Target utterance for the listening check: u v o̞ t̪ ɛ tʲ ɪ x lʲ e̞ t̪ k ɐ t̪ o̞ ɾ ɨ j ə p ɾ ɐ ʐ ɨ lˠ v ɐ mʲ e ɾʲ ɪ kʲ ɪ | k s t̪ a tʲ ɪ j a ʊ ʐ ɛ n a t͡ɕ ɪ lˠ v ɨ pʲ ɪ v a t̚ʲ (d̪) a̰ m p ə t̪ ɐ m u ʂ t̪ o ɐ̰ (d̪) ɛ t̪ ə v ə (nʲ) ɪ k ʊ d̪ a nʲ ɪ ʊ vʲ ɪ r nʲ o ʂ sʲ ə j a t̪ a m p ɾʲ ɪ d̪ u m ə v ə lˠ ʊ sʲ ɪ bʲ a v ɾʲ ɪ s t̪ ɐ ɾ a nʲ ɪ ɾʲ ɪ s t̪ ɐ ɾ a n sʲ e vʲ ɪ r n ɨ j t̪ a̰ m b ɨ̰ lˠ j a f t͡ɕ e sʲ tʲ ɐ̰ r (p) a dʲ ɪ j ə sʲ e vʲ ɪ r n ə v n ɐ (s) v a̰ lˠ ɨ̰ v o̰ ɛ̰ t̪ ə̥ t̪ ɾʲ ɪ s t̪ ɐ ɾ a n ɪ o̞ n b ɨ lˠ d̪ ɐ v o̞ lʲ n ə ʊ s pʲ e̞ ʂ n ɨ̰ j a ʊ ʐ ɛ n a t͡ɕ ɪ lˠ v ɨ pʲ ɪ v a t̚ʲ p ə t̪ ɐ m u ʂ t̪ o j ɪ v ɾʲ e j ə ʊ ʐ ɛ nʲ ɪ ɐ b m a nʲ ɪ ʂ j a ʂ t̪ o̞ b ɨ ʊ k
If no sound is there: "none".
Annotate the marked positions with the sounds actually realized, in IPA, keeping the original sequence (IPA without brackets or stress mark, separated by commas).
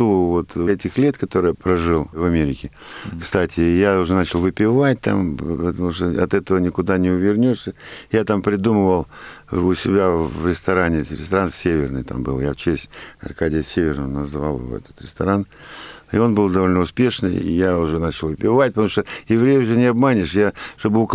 t̪, t̪, nʲ, k, z